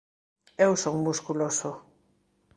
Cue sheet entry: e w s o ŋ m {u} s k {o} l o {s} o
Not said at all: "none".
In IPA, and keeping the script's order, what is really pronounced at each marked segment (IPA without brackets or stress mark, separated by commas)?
u, u, s